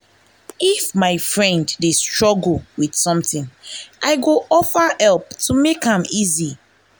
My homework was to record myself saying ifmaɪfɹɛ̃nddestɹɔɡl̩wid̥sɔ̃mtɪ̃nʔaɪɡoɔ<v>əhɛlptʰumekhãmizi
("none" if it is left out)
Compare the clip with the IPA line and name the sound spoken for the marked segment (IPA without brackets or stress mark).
f